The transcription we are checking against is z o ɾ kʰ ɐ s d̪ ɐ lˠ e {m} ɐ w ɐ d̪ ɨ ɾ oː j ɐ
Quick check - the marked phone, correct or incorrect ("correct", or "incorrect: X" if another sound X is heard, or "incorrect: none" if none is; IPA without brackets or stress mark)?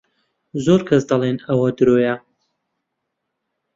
incorrect: n